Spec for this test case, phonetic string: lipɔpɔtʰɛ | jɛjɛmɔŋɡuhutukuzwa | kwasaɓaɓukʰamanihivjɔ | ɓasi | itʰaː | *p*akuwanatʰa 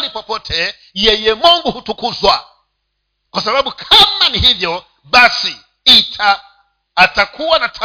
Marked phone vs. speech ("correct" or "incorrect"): incorrect